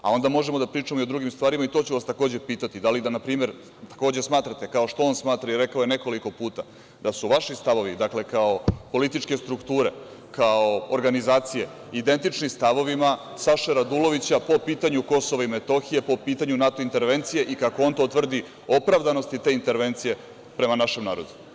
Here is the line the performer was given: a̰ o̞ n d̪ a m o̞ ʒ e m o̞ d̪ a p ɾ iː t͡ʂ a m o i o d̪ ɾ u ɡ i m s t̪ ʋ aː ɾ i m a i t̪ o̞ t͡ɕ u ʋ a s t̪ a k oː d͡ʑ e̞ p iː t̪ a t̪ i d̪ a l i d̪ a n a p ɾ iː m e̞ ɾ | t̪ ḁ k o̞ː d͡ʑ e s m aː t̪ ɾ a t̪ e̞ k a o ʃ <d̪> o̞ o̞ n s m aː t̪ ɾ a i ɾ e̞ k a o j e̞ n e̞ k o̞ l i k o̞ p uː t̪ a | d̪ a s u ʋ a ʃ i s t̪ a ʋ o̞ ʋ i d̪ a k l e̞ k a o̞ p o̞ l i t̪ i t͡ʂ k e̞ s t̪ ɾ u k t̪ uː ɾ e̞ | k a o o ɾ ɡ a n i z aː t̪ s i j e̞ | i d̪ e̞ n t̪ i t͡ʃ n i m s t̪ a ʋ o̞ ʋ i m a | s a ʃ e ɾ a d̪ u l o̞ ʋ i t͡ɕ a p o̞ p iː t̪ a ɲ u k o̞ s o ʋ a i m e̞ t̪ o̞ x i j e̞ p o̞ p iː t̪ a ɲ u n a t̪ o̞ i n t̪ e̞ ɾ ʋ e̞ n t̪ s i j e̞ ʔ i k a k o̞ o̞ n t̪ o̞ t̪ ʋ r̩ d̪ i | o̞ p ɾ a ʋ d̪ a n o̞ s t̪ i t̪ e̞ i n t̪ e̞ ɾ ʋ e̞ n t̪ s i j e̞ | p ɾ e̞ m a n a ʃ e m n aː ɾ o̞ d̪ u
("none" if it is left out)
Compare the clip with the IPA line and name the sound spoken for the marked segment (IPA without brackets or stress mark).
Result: t̪